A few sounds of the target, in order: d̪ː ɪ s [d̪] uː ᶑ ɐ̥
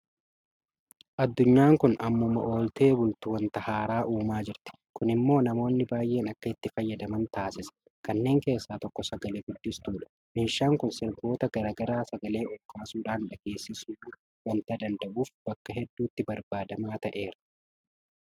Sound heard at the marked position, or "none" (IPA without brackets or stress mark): t̪